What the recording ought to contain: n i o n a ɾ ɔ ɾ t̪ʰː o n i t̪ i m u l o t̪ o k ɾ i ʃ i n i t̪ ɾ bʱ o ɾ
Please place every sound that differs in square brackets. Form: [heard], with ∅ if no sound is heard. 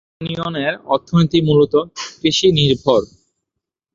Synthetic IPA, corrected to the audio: n i o n [e] ɾ ɔ ɾ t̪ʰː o n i t̪ i m u l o t̪ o k ɾ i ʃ i n i [∅] ɾ bʱ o ɾ